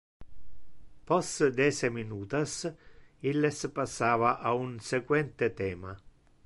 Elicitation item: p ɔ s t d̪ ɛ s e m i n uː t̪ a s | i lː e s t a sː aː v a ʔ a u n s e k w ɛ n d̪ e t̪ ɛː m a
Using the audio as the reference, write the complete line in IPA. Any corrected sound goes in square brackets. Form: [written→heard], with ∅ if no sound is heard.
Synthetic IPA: p ɔ s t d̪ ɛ s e m i n uː t̪ a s | i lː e s [t→p] a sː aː v a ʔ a u n s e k w ɛ n [d̪→t̪] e t̪ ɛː m a